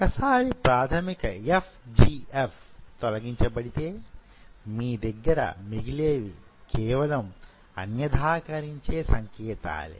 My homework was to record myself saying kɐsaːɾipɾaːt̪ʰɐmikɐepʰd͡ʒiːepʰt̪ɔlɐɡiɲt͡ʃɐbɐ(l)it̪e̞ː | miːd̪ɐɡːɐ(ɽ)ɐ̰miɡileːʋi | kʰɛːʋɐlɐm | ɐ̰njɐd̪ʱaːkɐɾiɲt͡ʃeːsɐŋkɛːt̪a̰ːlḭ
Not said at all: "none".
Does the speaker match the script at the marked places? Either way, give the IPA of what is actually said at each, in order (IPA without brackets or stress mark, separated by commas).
ɽ, ɾ